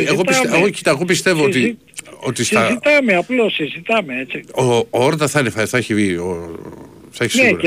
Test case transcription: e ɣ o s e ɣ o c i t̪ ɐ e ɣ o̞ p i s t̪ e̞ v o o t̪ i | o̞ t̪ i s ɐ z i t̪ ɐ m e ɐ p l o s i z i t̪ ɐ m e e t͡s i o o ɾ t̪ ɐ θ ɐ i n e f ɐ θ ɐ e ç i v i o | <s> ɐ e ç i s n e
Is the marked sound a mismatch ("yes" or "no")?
yes